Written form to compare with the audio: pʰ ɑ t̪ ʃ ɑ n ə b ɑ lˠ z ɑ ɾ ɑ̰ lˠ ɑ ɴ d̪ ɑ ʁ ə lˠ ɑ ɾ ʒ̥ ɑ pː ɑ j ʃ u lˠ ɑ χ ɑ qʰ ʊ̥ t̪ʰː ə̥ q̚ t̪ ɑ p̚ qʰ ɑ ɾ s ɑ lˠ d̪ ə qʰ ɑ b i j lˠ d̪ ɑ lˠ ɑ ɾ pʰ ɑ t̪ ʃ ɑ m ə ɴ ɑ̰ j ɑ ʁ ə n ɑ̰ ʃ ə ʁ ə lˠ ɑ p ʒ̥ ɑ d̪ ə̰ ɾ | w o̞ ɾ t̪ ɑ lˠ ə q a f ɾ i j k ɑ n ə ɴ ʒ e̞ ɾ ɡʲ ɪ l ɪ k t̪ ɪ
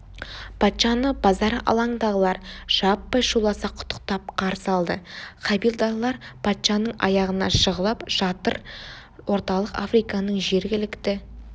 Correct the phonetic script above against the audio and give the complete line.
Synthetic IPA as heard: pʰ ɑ t̪ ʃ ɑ n ə b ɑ z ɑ ɾ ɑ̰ lˠ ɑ ɴ d̪ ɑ ʁ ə lˠ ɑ ɾ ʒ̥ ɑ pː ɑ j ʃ u lˠ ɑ s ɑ qʰ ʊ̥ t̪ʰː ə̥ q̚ t̪ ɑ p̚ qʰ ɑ ɾ s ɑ lˠ d̪ ə qʰ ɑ b i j lˠ d̪ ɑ lˠ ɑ ɾ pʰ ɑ t̪ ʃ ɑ n ə ɴ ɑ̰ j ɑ ʁ ə n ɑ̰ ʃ ə ʁ ə lˠ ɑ p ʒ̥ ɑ t̪ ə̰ ɾ | w o̞ ɾ t̪ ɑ lˠ ə q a f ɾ i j k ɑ n ə ɴ ʒ e̞ ɾ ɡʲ ɪ l ɪ k t̪ ɪ

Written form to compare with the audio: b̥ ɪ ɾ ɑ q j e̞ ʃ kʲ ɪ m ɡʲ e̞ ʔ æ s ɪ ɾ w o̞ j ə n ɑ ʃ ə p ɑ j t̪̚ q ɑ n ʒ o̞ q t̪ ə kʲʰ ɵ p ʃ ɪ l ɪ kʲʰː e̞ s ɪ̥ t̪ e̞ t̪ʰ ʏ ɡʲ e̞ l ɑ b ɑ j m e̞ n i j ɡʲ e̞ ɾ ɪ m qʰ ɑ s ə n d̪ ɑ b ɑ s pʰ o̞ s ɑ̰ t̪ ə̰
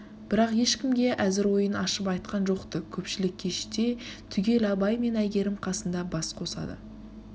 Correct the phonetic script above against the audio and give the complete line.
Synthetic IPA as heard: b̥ ɪ ɾ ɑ q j e̞ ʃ kʲ ɪ m ɡʲ e̞ ʔ æ z ɪ ɾ w o̞ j ə n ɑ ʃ ə p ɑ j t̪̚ q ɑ n ʒ o̞ q t̪ ə kʲʰ ɵ p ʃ ɪ l ɪ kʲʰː e̞ ʃ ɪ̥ t̪ e̞ t̪ʰ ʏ ɡʲ e̞ l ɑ b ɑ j m e̞ n æ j ɡʲ e̞ ɾ ɪ m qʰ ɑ s ə n d̪ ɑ b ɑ s qʰ o̞ s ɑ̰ d̪ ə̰

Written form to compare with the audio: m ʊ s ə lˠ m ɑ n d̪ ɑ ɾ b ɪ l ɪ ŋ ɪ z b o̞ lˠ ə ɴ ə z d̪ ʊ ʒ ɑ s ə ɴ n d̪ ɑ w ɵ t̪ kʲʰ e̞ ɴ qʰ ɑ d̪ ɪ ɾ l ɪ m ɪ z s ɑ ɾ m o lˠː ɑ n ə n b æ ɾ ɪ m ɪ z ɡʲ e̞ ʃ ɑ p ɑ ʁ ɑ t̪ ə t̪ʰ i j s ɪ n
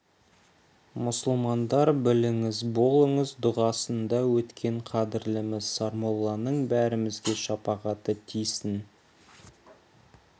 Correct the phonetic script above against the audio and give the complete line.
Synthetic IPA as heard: m ʊ s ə lˠ m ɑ n d̪ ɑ ɾ b ɪ l ɪ ŋ ɪ z b o̞ lˠ ə ɴ ə z d̪ ʊ ʁ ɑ s ə n d̪ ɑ w ɵ t̪ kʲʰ e̞ ɴ qʰ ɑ d̪ ɪ ɾ l ɪ m ɪ z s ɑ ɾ m o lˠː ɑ n ə ɴ b æ ɾ ɪ m ɪ z ɡʲ e̞ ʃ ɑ p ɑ ʁ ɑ t̪ ə t̪ʰ i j s ɪ n

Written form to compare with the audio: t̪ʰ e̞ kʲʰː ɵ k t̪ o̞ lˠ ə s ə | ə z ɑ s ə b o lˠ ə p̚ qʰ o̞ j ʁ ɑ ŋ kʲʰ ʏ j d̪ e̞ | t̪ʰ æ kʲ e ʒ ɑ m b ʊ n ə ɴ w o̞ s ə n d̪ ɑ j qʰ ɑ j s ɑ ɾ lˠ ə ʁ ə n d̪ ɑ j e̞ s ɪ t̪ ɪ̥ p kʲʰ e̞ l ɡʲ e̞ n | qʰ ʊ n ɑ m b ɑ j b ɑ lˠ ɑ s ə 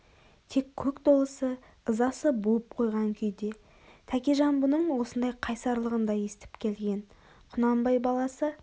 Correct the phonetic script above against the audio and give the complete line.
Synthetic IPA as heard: t̪ʰ e̞ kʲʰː ɵ k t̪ o̞ lˠ ə s ə | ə z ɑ s ə b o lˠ ə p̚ qʰ o̞ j ʁ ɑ ŋ kʲʰ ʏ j d̪ e̞ | t̪ʰ æ kʲ e ʒ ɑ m b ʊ n ə ɴ w o̞ s ə n d̪ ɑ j qʰ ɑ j s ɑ ɾ lˠ ə ʁ ə n d̪ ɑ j e̞ s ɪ t̪ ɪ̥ p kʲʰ e̞ l ɡʲ e̞ n | qʰ ʊ n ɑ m b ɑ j b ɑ lˠ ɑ s ə

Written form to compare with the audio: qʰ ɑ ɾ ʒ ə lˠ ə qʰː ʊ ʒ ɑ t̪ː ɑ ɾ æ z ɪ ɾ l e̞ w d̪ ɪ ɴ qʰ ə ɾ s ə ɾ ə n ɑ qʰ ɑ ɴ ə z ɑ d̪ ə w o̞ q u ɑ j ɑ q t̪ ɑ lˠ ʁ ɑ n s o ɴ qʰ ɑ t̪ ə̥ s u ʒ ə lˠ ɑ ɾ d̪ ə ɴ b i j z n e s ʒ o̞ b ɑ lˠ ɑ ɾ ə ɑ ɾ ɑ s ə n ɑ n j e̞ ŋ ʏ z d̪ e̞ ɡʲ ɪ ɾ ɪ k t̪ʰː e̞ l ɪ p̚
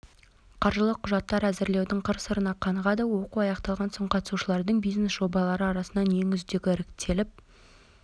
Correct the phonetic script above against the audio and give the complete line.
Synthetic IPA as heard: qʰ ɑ ɾ ʒ ə lˠ ə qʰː ʊ ʒ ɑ t̪ː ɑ ɾ æ z ɪ ɾ l e̞ w d̪ ɪ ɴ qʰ ə ɾ s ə ɾ ə n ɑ qʰ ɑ ɴ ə ʁ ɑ d̪ ə w o̞ q u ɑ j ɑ q t̪ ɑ lˠ ʁ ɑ n s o ɴ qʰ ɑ t̪ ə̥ s u ʃ ə lˠ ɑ ɾ d̪ ə ɴ b i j z n e s ʒ o̞ b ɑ lˠ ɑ ɾ ə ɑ ɾ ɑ s ə n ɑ n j e̞ ŋ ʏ z d̪ e̞ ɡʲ ɪ ɾ ɪ k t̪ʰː e̞ l ɪ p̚

